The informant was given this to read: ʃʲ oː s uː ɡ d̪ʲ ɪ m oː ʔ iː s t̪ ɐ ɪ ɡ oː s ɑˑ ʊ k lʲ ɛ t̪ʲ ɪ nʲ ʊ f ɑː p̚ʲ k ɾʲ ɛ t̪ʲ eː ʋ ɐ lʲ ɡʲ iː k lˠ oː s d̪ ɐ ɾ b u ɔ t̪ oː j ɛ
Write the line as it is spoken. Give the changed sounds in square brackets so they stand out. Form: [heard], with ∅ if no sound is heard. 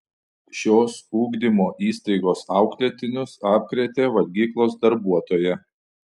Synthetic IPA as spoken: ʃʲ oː s uː ɡ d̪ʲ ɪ m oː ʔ iː s t̪ ɐ ɪ ɡ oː s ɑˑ ʊ k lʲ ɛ t̪ʲ ɪ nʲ ʊ [s] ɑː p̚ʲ k ɾʲ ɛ t̪ʲ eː ʋ ɐ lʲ ɡʲ iː k lˠ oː s d̪ ɐ ɾ b u ɔ t̪ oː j ɛ